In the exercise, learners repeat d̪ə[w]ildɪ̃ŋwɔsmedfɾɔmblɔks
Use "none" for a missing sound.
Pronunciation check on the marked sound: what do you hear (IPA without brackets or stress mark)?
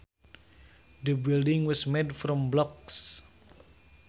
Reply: b